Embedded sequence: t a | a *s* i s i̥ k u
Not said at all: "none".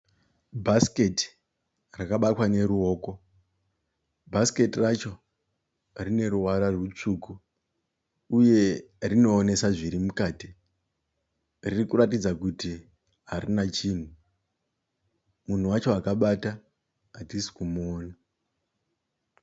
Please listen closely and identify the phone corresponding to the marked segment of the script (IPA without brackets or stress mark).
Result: t